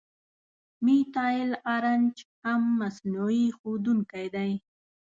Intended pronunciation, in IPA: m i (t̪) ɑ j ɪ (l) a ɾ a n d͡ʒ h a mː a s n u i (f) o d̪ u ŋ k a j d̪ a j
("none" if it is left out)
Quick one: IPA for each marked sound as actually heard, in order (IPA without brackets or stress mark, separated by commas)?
t̪, l, x